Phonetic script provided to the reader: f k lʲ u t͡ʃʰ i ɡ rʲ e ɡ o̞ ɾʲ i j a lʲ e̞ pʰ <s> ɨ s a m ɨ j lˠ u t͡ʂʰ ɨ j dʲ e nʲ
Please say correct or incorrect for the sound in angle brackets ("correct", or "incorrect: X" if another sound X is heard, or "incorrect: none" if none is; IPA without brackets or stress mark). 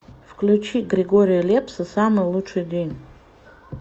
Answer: correct